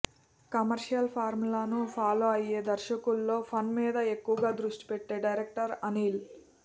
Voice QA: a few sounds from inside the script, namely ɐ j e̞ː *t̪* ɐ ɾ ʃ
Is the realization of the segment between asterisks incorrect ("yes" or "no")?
yes